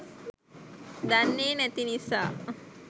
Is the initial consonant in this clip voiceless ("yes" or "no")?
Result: no